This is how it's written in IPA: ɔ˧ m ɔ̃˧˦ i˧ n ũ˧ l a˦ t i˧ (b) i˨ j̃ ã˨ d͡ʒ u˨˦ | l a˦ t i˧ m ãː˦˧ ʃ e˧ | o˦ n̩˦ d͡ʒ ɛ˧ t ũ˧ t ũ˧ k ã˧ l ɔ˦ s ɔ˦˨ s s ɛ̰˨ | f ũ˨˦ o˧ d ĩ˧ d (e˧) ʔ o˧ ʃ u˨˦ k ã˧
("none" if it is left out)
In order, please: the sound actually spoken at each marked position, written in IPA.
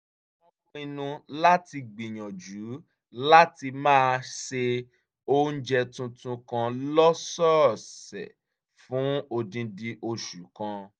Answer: ɡ͡b, i˧

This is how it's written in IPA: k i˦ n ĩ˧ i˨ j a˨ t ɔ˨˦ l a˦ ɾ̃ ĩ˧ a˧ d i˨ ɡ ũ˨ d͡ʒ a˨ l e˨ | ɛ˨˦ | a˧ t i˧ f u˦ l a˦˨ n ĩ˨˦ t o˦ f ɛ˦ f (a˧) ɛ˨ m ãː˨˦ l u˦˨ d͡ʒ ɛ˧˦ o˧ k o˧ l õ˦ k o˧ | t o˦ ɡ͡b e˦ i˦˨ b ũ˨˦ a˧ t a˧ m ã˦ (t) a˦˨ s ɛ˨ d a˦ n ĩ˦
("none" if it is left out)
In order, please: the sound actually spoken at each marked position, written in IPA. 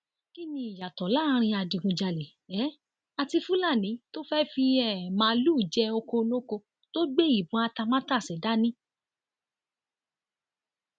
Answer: i˧, t

